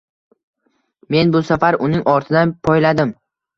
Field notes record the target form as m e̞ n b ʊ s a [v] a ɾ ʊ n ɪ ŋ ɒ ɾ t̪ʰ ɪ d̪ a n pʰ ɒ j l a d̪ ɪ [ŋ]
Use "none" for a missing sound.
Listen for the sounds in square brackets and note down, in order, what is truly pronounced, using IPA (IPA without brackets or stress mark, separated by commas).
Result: f, m